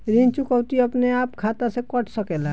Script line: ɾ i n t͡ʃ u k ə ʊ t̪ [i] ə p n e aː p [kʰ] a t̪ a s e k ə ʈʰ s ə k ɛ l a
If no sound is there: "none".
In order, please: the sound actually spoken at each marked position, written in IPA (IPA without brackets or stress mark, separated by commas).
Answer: i, kʰ